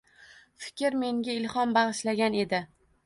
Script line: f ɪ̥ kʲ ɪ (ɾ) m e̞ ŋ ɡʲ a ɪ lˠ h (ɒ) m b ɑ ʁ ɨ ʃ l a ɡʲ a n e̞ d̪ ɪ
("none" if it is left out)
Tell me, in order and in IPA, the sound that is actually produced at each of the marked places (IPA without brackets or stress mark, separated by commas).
ɾ, ɒ